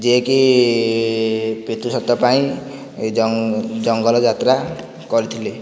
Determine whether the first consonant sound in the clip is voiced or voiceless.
voiced